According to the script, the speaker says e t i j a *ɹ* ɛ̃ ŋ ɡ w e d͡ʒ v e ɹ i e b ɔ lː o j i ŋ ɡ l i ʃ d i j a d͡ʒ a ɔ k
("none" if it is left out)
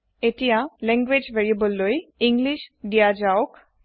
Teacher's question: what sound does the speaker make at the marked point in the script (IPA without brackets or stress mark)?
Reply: l